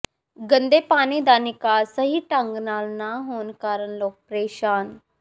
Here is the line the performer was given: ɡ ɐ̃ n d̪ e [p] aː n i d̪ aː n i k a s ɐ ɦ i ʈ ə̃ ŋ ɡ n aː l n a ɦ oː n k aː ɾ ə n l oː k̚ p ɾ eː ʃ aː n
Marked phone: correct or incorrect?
correct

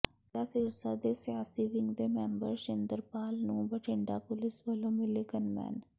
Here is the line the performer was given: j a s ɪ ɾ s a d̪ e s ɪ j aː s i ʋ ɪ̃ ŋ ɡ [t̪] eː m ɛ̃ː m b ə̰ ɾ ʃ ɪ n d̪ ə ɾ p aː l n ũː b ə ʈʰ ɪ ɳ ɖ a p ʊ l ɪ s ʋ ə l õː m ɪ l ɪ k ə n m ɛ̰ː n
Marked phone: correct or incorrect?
incorrect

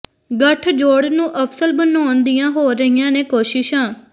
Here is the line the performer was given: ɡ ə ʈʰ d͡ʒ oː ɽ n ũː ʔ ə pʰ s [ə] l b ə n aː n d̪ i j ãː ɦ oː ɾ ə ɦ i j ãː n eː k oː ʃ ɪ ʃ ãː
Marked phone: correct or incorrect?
correct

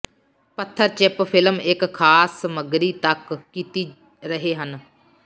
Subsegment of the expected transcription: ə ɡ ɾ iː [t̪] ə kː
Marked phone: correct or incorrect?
correct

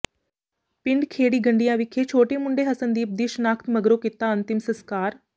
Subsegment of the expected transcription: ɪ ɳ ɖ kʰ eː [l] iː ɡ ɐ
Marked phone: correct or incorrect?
incorrect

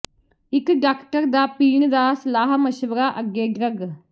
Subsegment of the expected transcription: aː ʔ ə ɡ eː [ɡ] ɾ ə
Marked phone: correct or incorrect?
correct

